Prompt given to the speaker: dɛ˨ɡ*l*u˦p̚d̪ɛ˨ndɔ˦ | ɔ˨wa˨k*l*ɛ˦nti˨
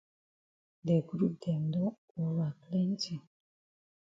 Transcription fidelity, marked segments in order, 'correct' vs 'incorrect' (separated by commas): incorrect, correct